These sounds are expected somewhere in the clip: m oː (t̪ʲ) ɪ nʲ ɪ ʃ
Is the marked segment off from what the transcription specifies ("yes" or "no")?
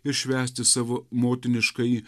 no